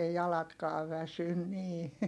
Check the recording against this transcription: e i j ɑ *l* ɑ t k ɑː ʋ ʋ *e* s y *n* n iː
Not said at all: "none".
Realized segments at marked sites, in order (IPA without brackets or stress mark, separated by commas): l, æ, n